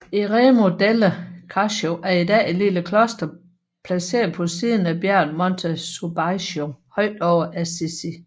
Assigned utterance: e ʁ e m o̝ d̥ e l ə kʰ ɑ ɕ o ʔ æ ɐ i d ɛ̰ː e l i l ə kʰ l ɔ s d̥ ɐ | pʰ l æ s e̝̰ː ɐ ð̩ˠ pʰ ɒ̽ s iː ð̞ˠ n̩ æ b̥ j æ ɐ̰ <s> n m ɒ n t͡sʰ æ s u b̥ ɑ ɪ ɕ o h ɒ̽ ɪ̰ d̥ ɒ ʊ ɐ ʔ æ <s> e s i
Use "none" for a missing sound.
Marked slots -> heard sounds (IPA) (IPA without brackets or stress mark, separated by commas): none, s